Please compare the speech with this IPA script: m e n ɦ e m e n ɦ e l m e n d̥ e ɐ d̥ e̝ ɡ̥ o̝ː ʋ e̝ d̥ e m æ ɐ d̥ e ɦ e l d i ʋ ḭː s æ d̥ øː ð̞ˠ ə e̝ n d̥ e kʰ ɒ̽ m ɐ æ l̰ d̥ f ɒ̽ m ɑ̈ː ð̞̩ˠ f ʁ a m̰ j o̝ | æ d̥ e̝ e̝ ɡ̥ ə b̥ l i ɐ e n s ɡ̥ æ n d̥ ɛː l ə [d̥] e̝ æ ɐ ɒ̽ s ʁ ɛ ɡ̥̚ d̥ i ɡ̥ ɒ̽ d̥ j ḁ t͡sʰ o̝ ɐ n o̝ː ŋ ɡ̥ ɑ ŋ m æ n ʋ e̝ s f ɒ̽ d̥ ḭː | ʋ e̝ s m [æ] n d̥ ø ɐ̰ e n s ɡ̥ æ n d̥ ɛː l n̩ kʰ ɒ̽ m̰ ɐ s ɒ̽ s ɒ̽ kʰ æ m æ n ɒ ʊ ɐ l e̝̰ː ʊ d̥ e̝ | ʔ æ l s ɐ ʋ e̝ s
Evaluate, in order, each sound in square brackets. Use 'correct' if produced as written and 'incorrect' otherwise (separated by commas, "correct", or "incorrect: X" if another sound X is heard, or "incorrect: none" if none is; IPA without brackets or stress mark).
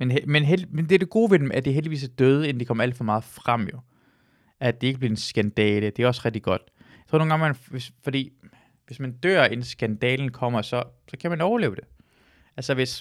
correct, correct